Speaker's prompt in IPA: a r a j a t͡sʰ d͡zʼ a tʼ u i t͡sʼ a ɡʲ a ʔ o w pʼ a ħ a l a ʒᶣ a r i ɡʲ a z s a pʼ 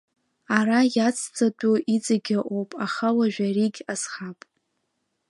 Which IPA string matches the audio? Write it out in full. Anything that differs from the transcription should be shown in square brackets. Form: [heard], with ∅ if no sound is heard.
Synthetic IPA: a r a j a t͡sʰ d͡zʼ a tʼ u i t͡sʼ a ɡʲ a ʔ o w pʼ a [χ] a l a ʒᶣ a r i ɡʲ a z [χ] a pʼ